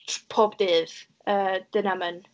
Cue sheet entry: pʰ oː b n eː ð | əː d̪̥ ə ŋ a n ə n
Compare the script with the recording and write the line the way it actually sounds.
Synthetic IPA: pʰ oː b d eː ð | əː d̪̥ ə n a m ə n